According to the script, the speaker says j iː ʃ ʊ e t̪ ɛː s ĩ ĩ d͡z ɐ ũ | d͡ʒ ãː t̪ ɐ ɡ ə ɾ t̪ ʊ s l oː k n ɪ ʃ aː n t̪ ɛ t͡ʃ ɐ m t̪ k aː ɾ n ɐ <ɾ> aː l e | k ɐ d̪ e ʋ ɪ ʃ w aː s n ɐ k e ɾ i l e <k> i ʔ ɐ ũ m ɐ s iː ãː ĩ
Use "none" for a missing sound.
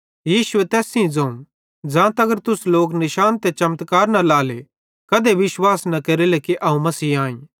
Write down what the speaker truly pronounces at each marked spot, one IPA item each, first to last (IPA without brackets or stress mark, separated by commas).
l, k